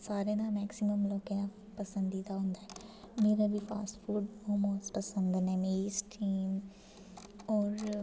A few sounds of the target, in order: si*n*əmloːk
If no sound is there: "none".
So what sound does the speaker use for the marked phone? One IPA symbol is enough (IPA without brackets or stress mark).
m